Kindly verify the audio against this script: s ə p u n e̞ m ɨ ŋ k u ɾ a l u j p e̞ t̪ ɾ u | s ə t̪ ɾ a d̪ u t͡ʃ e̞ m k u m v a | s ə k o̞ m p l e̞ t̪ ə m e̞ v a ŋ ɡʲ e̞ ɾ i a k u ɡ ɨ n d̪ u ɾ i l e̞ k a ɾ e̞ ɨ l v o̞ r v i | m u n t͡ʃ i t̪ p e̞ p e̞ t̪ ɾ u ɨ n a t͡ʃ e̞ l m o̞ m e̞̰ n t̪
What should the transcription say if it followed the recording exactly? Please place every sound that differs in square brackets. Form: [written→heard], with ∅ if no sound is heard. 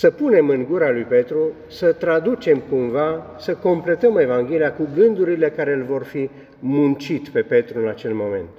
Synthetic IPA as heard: s ə p u n e̞ m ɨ ŋ [k→ɡ] u ɾ a l u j p e̞ t̪ ɾ u | s ə t̪ ɾ a d̪ u t͡ʃ e̞ m k u m v a | s ə k o̞ m p l e̞ t̪ ə m e̞ v a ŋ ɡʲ e̞ [ɾ→l] i a k u ɡ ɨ n d̪ u ɾ i l e̞ k a ɾ e̞ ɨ l v o̞ r [v→f] i | m u n t͡ʃ i t̪ p e̞ p e̞ t̪ ɾ u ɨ n a t͡ʃ e̞ l m o̞ m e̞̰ n t̪